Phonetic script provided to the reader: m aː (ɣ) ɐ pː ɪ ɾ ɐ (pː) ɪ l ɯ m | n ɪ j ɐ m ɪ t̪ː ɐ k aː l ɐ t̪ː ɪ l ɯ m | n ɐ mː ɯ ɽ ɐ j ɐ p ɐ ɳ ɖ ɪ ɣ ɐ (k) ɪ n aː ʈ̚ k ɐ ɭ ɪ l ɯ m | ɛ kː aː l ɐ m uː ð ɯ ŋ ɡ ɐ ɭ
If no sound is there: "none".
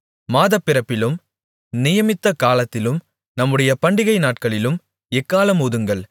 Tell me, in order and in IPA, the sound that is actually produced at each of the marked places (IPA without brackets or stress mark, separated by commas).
ð, pː, none